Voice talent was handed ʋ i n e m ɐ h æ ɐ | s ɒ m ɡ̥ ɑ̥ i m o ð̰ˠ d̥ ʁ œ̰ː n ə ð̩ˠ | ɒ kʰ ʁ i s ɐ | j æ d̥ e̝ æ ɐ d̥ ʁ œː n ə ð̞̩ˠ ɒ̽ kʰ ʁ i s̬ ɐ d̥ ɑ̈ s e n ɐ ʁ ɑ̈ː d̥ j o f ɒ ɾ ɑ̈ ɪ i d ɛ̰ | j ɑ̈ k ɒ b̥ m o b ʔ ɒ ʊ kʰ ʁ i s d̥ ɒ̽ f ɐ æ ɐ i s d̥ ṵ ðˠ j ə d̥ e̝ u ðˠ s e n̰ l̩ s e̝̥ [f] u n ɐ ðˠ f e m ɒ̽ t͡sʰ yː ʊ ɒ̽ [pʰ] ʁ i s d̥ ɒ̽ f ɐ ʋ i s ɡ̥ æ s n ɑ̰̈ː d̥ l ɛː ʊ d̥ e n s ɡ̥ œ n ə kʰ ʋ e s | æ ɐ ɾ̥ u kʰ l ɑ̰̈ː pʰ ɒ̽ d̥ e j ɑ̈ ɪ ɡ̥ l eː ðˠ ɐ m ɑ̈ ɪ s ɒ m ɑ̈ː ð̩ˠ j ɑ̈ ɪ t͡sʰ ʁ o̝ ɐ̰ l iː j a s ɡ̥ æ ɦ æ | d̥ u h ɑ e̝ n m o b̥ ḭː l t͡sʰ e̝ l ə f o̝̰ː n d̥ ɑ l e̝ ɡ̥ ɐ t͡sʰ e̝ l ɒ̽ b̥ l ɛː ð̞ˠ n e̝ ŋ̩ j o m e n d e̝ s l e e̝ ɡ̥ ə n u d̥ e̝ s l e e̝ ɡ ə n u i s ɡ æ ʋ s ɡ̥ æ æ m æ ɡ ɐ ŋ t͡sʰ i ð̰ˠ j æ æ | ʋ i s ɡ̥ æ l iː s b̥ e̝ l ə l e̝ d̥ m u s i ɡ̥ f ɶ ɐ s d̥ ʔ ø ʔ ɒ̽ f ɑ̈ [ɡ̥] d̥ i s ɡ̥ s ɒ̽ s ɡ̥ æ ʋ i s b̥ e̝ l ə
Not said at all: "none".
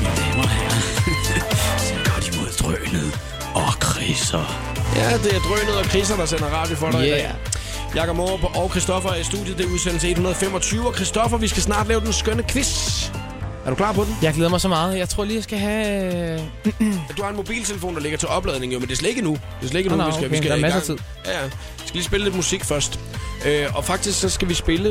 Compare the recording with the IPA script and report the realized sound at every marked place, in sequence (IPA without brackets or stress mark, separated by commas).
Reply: h, kʰ, ɡ̥